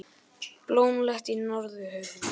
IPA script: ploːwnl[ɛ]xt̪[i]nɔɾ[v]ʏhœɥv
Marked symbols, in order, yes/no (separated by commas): yes, yes, no